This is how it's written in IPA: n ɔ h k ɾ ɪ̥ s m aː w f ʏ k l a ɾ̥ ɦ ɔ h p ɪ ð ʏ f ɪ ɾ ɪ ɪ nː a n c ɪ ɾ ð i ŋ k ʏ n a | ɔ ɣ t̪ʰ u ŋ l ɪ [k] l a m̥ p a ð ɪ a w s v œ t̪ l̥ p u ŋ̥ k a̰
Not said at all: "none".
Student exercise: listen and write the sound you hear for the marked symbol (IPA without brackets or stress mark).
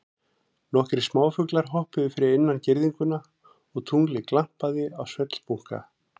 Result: k